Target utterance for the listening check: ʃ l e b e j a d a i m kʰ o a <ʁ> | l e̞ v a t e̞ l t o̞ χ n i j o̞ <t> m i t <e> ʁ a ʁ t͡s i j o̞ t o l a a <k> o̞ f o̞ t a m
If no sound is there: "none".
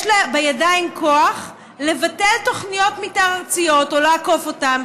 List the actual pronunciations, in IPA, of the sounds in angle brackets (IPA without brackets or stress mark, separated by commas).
χ, t, a, k